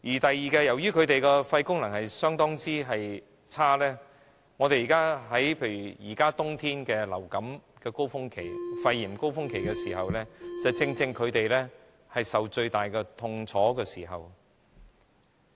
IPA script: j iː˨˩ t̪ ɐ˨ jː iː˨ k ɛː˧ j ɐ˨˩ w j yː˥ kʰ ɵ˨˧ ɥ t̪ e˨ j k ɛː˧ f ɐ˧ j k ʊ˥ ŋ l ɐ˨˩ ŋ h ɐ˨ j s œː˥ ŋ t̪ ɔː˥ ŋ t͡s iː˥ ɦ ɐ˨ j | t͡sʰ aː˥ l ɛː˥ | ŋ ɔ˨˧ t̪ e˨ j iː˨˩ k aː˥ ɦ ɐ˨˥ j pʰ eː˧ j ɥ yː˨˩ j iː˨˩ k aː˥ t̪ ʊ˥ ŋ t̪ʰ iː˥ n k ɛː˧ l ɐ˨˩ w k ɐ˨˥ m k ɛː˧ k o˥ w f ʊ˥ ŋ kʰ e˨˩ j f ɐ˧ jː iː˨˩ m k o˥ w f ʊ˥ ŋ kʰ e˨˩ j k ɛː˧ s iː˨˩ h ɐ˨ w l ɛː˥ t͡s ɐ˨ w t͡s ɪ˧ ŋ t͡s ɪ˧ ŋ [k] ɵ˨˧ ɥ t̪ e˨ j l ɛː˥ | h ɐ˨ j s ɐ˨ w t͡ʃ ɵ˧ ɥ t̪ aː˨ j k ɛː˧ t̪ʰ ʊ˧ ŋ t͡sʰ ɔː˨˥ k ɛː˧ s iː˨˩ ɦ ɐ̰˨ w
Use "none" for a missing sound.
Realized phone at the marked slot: kʰ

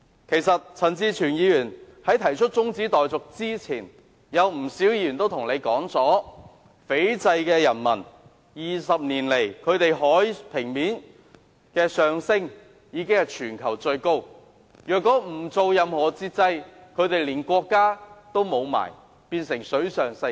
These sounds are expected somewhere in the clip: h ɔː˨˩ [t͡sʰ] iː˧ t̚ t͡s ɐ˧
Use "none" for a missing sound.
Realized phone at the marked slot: t͡s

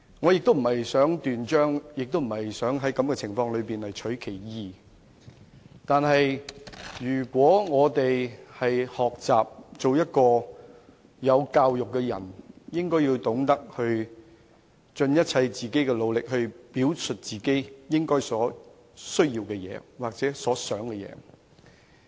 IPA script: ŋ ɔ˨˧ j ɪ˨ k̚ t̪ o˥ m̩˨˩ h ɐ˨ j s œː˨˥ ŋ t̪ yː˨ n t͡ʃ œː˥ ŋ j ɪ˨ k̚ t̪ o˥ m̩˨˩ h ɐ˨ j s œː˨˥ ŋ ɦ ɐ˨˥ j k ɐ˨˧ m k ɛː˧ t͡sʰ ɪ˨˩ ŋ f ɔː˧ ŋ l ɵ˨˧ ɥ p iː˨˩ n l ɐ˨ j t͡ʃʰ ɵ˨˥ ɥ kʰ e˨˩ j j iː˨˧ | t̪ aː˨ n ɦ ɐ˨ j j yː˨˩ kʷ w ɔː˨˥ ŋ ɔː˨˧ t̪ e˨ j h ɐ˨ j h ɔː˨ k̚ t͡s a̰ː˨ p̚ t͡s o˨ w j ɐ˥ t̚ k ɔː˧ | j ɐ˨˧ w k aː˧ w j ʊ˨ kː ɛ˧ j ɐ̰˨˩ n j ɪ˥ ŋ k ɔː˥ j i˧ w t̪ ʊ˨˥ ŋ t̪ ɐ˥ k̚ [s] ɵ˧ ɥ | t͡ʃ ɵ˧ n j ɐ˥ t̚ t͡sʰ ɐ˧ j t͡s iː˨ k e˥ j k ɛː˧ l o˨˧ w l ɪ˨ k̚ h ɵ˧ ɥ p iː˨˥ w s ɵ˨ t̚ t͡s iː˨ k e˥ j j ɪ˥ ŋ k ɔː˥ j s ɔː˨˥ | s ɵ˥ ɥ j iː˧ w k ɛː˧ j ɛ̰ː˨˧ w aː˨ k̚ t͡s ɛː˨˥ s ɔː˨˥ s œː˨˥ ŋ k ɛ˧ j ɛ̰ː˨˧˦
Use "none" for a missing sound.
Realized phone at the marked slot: h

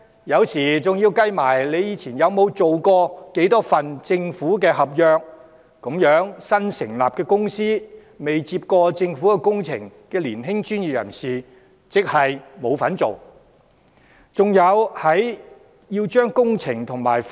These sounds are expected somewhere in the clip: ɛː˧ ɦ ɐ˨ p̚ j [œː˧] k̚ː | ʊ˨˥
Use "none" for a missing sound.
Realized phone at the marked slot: œː˧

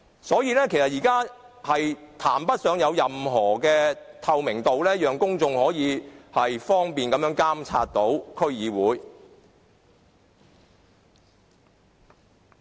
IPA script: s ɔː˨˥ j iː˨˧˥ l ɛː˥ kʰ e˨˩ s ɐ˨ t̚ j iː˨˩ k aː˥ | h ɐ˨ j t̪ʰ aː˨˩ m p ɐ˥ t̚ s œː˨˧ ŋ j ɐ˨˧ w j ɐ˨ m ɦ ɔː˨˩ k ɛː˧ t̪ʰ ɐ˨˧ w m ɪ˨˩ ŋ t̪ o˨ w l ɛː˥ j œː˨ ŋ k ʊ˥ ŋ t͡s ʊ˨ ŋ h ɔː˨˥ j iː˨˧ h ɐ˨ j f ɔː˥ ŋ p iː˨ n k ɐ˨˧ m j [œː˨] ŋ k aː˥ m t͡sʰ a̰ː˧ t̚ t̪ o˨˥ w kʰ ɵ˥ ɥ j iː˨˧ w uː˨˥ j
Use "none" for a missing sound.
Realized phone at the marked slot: œː˨˥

